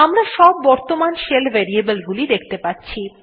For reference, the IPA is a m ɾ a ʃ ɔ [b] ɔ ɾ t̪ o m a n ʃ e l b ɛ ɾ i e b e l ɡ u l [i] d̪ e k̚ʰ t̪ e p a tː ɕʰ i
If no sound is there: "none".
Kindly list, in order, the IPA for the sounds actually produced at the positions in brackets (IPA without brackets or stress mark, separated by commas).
bː, i